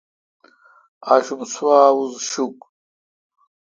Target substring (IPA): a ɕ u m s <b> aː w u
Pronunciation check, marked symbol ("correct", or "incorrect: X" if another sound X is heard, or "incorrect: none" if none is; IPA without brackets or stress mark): incorrect: w